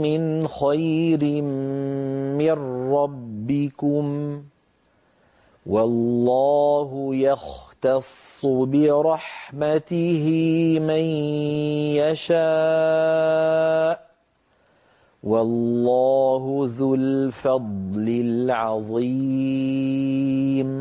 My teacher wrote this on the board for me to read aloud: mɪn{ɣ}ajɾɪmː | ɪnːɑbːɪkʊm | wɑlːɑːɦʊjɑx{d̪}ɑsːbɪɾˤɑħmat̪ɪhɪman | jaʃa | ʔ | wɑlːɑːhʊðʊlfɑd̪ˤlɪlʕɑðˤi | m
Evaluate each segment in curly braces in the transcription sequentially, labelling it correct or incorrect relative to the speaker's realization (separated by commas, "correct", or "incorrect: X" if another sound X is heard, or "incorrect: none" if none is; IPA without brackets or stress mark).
incorrect: x, incorrect: t̪